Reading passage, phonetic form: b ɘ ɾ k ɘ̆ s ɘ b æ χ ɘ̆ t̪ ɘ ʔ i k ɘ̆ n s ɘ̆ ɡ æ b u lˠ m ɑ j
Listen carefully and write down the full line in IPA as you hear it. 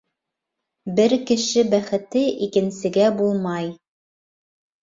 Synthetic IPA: b ɘ ɾ k ɘ̆ ʃ ɘ b æ χ ɘ̆ t̪ ɘ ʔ i k ɘ̆ n s ɘ̆ ɡ æ b u lˠ m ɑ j